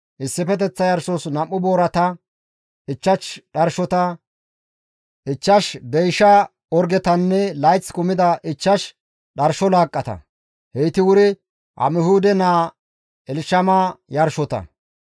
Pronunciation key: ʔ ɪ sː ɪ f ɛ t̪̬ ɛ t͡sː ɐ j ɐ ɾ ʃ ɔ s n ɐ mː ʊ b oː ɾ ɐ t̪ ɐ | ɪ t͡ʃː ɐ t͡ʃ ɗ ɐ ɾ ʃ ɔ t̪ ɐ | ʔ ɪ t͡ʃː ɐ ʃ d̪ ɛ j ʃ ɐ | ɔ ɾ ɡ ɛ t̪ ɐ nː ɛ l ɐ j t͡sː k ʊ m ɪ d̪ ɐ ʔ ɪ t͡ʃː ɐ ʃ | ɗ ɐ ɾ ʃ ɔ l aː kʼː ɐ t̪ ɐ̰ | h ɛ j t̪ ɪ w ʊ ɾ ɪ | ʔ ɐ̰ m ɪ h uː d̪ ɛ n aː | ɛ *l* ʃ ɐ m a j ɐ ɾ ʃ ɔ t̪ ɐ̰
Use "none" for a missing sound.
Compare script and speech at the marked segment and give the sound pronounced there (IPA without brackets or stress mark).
l